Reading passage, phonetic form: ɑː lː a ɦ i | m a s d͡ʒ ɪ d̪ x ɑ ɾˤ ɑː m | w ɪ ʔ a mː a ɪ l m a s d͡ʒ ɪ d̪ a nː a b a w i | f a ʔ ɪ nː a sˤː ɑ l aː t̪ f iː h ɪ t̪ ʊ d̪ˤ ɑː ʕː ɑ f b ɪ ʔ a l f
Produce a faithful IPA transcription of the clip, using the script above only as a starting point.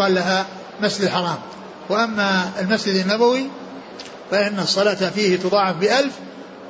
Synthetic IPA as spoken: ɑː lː a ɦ a | m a s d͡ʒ ɪ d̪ ħ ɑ ɾˤ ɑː m | w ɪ ʔ a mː a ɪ l m a s d͡ʒ ɪ d̪ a nː a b a w i | f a ʔ ɪ nː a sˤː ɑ l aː t̪ f iː h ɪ t̪ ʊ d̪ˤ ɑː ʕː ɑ f b ɪ ʔ a l f